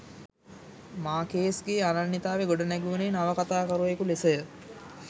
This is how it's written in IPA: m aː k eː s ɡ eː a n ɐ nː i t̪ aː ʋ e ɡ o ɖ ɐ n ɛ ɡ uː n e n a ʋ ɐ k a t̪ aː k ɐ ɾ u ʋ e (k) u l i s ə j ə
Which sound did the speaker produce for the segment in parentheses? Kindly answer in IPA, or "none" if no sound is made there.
k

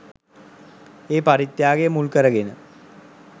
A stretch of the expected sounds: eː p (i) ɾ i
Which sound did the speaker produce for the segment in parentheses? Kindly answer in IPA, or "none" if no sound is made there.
a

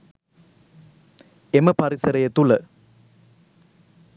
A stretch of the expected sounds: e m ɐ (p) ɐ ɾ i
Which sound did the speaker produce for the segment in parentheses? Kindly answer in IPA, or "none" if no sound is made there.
p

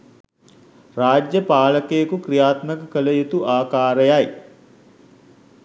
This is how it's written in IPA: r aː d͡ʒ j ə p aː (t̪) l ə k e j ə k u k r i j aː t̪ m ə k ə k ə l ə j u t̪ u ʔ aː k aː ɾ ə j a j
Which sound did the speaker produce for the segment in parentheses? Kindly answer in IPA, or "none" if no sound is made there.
none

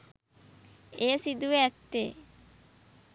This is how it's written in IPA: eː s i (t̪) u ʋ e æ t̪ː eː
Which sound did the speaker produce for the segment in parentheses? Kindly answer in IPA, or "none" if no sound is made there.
d̪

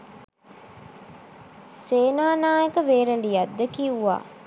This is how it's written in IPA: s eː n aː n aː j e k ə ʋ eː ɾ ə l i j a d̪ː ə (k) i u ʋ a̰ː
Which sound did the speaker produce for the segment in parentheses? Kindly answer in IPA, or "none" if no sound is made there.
k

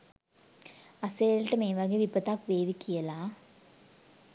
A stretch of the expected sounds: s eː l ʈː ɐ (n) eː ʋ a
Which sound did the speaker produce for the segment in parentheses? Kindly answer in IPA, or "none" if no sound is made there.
m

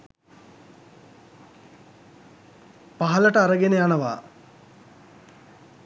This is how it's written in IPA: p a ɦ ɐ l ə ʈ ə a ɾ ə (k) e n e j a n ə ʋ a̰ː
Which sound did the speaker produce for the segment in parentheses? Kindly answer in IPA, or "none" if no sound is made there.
ɡ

